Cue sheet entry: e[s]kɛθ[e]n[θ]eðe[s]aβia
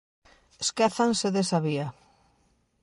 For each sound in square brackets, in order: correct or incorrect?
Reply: correct, incorrect: a, incorrect: s, correct

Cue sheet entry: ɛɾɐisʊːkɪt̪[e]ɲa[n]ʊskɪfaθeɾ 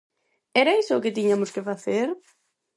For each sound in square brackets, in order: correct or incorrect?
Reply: incorrect: i, incorrect: m

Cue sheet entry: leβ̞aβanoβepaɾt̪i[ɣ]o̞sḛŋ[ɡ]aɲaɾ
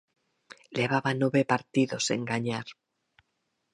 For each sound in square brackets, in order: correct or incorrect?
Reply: incorrect: ð, correct

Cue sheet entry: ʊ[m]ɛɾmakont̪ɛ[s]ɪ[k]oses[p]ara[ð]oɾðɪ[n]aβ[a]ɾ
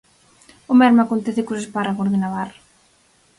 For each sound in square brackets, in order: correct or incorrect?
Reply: correct, incorrect: θ, correct, correct, incorrect: ɣ, correct, correct

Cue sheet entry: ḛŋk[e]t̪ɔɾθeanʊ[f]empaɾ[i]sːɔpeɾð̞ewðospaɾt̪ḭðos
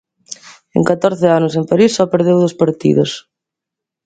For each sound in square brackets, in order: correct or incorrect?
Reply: incorrect: a, incorrect: s, correct

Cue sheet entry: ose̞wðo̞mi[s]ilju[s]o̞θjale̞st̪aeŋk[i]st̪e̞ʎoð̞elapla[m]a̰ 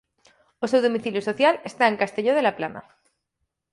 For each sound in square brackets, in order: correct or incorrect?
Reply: incorrect: θ, correct, incorrect: a, incorrect: n

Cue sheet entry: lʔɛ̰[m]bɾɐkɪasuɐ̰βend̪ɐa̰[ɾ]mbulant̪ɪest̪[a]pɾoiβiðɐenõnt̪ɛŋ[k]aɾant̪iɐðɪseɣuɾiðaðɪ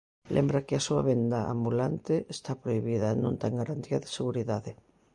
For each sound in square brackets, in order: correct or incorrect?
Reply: correct, incorrect: none, correct, incorrect: ɡ

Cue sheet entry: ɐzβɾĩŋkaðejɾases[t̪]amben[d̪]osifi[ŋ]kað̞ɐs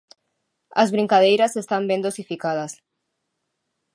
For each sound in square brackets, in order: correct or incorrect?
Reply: correct, correct, incorrect: none

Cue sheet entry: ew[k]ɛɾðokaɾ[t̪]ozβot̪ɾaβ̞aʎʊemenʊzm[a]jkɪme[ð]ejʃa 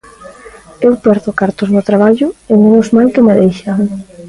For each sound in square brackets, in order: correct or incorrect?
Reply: incorrect: p, correct, correct, correct

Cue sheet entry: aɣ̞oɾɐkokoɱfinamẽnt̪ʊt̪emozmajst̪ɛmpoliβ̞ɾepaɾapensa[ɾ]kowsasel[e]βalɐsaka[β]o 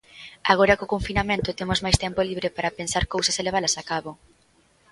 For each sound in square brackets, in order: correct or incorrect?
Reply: correct, correct, correct

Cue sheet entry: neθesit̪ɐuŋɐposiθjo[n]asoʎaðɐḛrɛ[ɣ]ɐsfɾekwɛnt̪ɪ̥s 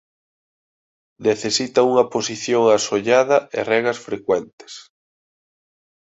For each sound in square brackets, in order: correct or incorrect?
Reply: incorrect: ŋ, correct

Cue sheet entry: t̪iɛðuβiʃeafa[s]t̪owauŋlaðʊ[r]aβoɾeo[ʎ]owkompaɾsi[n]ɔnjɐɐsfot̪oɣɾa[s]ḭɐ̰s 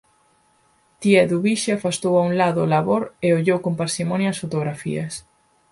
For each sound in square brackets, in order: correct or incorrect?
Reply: correct, incorrect: l, correct, incorrect: m, incorrect: f

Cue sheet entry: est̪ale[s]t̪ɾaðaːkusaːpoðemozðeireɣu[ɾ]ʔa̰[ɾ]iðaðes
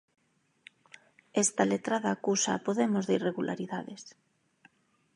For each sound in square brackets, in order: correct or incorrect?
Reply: incorrect: none, incorrect: l, correct

